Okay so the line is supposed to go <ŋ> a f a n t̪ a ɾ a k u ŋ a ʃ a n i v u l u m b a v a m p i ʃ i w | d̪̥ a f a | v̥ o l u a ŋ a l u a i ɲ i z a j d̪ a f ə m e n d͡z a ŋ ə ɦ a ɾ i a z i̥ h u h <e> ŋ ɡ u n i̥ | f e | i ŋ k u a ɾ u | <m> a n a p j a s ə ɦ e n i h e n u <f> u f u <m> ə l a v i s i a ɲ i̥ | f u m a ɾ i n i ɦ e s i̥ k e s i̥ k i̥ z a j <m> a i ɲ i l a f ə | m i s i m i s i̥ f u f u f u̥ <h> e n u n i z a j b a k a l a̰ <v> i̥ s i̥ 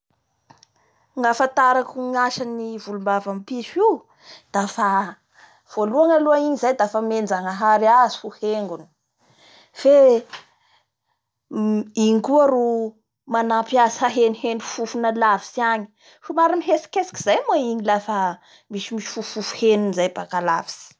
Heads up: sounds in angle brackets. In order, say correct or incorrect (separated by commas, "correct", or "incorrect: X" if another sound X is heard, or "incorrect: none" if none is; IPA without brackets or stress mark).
correct, correct, correct, correct, incorrect: n, correct, correct, correct